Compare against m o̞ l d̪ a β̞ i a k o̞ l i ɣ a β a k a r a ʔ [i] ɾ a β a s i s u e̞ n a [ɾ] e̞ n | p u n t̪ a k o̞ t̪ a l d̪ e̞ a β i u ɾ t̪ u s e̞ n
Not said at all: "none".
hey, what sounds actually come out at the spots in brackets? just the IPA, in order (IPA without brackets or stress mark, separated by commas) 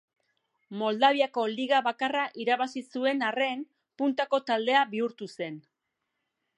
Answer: i, r